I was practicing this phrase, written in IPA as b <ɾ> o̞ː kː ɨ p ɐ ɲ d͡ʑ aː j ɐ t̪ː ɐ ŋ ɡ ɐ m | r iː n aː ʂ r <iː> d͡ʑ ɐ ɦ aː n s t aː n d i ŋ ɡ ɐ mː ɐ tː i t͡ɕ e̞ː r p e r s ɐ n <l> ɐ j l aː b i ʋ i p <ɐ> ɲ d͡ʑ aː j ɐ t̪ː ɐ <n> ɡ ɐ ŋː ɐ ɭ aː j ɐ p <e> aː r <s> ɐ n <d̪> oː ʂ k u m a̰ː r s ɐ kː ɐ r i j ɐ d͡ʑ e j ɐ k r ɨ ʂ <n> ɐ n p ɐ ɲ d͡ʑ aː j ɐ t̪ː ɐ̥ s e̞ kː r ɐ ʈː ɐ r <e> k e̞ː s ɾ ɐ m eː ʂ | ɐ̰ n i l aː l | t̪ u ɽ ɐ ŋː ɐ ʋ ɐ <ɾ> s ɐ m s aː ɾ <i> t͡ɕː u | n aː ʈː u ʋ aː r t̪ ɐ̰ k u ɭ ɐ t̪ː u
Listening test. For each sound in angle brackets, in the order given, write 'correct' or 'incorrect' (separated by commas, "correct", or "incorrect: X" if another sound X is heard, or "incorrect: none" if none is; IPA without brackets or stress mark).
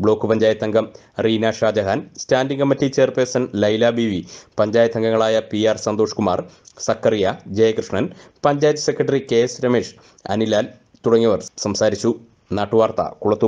incorrect: ɭ, incorrect: aː, correct, correct, incorrect: ŋ, incorrect: i, correct, correct, incorrect: ɳ, incorrect: i, incorrect: r, correct